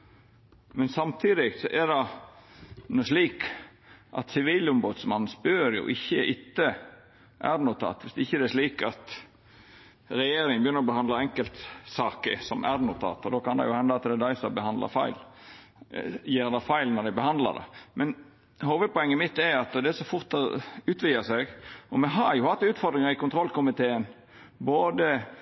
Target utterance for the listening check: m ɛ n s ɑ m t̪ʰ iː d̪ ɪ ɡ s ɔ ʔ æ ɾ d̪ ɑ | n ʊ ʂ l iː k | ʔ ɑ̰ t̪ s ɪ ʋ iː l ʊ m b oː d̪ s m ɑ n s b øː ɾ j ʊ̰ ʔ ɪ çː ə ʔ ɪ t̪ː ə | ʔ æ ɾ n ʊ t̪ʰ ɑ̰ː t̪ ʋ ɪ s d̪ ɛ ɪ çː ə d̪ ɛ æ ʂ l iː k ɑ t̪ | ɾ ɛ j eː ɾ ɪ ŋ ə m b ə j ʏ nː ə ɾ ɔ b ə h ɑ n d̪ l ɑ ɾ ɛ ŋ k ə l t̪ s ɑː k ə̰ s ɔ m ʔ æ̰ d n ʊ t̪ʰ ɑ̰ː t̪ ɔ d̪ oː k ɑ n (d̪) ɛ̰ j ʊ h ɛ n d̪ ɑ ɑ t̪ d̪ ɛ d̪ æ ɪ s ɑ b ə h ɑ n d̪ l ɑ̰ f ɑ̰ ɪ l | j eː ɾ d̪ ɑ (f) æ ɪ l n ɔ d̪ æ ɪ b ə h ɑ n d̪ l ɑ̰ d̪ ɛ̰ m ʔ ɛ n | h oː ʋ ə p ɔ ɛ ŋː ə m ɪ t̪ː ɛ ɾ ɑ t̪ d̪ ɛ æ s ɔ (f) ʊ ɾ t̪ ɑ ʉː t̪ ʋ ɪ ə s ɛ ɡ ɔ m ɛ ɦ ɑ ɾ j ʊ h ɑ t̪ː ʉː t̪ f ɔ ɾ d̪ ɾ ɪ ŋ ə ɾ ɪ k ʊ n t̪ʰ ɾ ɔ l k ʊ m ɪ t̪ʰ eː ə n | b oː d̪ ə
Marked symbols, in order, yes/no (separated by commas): yes, yes, yes